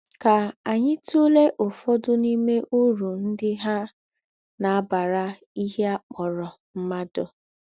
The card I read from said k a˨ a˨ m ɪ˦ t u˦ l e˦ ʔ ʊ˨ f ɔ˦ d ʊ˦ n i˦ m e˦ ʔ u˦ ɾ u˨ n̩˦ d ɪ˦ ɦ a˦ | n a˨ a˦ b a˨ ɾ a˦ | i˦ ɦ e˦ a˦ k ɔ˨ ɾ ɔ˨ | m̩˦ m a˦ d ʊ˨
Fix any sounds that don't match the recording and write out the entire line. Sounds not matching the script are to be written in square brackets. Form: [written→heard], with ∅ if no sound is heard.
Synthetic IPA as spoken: k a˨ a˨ [m→ɲ] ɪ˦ t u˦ l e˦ ʔ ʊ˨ f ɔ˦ d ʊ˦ n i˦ m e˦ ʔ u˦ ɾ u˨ n̩˦ d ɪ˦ ɦ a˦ | n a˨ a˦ b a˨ ɾ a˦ | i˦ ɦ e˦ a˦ [k→k͡p] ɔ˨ ɾ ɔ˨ | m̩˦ m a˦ d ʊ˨